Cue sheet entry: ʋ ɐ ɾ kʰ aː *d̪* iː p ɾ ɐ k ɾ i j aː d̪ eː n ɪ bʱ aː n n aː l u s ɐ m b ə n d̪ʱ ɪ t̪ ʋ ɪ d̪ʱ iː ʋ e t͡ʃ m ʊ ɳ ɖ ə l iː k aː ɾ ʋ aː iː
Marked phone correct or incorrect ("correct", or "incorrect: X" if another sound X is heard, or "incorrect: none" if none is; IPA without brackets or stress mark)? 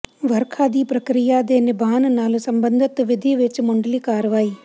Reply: correct